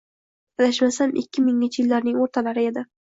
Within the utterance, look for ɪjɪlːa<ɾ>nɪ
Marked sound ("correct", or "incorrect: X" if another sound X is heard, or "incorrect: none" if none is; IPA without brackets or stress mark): correct